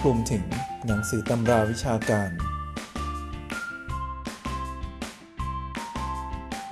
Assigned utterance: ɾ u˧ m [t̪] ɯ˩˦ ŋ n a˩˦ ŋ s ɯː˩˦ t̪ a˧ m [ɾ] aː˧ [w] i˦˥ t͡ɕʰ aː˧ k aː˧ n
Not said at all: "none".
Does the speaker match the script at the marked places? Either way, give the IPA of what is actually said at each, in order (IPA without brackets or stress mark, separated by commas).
t̪ʰ, ɾ, w